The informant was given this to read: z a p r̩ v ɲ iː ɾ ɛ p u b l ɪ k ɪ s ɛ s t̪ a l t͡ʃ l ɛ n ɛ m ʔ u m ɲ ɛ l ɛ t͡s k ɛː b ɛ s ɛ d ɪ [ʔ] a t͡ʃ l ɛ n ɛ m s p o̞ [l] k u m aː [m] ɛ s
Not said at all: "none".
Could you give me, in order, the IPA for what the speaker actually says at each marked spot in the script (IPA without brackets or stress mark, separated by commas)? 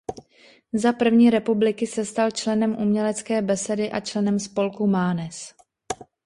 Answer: ʔ, l, n